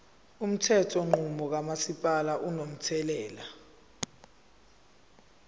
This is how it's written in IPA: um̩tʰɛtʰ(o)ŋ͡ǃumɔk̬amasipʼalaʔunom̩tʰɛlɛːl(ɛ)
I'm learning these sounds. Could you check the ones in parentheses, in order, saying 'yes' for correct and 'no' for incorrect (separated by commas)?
no, no